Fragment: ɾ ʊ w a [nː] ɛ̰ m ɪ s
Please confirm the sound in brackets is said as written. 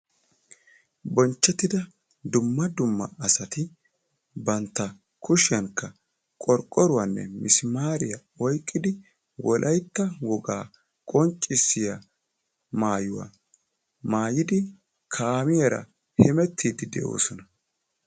yes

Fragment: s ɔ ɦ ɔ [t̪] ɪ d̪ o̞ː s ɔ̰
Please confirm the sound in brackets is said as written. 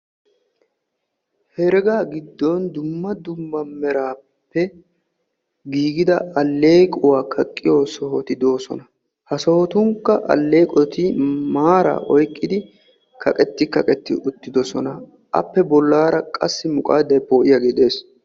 yes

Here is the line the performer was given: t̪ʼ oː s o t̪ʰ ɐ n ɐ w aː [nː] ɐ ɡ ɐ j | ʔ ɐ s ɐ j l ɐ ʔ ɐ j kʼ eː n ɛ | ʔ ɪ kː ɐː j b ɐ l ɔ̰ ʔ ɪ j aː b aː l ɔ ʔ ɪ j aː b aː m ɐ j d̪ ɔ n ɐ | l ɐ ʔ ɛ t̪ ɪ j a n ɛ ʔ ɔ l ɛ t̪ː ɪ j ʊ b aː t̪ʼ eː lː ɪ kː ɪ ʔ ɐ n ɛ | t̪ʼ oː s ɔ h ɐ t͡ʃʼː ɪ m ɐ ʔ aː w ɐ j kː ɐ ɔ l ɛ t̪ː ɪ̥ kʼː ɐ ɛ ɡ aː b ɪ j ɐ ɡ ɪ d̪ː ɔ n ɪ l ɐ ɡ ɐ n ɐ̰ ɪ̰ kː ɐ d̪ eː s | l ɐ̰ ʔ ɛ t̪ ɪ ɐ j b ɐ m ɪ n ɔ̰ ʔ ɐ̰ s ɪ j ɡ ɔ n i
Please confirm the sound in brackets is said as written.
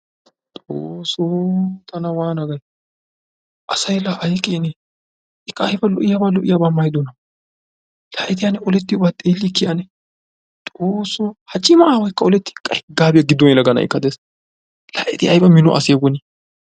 no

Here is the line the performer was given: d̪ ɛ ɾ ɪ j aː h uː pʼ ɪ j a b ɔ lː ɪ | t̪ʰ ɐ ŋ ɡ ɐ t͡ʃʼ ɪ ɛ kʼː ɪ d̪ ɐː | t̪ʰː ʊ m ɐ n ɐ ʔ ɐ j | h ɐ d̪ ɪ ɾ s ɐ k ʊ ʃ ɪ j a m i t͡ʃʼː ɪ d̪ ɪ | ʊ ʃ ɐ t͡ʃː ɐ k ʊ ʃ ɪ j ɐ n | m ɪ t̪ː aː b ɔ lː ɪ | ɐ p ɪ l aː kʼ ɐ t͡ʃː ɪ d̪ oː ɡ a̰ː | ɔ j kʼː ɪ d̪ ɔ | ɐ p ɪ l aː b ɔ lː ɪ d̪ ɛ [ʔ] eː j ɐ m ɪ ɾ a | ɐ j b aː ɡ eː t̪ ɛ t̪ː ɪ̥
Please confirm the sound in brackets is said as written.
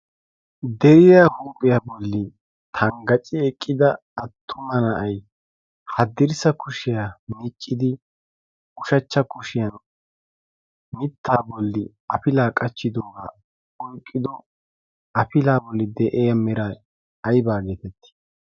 yes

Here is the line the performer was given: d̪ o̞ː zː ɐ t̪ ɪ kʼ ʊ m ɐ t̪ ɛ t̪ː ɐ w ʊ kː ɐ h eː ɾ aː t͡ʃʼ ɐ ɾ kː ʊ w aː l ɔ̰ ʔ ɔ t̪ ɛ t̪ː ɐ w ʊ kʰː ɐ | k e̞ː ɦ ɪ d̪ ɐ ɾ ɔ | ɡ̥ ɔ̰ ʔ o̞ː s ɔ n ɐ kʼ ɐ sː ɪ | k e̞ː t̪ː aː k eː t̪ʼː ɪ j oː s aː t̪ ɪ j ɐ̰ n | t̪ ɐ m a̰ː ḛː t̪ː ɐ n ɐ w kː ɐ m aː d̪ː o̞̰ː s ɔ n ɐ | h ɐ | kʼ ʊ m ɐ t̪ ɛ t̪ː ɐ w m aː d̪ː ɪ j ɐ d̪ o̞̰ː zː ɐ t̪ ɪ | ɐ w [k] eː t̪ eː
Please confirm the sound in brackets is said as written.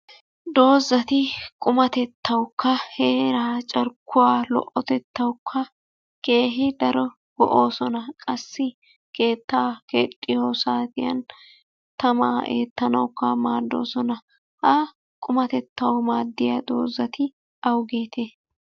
no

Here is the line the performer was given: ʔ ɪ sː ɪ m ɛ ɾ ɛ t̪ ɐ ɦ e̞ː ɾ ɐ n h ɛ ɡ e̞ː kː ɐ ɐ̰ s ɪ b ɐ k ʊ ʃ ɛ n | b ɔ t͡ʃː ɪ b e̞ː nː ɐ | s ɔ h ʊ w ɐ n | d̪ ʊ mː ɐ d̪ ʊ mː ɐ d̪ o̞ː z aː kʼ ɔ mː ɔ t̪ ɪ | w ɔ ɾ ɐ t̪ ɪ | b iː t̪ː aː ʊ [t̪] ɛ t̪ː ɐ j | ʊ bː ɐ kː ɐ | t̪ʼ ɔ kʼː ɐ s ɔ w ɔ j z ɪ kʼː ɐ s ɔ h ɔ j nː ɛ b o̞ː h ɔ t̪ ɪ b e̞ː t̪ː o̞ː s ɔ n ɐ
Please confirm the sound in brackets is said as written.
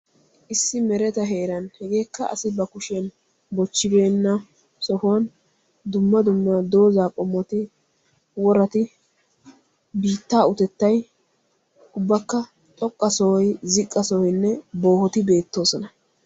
yes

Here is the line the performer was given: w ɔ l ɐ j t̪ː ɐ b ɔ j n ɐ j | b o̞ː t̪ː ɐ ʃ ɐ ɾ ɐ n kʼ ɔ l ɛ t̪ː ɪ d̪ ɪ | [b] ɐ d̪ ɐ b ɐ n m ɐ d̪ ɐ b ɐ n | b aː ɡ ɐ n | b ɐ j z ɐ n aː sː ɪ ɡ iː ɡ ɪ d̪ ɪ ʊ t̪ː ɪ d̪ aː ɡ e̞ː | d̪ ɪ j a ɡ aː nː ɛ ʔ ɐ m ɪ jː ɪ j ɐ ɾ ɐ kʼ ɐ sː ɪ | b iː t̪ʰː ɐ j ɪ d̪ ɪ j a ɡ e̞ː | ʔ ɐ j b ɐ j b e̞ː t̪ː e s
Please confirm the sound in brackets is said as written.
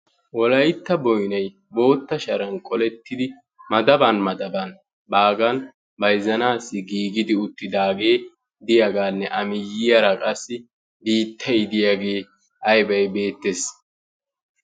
no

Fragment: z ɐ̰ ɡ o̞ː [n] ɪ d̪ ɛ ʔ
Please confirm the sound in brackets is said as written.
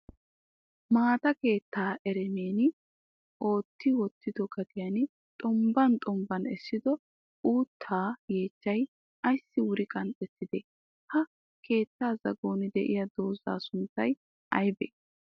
yes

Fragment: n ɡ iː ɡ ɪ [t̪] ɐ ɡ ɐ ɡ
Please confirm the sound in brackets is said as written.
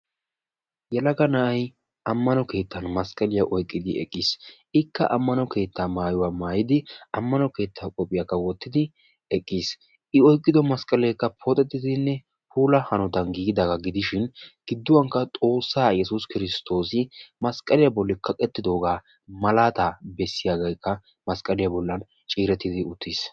no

